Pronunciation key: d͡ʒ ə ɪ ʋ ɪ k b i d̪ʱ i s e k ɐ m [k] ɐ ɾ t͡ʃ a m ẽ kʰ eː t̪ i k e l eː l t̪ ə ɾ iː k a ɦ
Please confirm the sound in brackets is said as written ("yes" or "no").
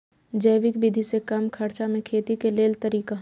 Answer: no